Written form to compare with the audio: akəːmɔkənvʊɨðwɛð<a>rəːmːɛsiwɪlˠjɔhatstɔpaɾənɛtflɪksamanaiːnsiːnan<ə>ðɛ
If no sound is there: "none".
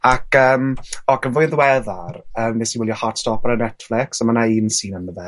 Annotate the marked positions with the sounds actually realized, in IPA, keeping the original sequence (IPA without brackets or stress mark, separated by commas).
a, ə